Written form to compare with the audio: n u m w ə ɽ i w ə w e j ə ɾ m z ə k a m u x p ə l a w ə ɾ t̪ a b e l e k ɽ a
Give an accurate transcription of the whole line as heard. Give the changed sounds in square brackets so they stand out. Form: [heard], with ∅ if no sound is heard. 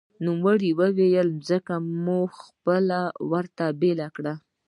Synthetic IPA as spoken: n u m w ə ɽ i w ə w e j ə [l] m z ə k a m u x p ə l a w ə ɾ t̪ a b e l [a] k ɽ a